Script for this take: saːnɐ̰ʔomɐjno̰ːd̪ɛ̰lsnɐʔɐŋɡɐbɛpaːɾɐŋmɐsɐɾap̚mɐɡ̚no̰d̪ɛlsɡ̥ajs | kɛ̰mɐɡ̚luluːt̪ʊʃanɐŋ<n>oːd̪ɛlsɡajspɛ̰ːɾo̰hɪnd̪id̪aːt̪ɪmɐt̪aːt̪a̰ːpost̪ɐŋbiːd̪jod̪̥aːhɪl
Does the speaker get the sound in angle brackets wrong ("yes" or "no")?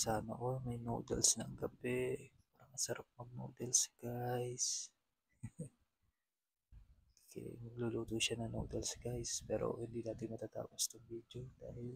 no